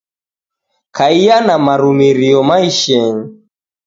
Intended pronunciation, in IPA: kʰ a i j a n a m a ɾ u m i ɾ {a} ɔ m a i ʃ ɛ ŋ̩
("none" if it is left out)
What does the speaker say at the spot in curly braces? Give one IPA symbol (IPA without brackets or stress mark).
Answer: i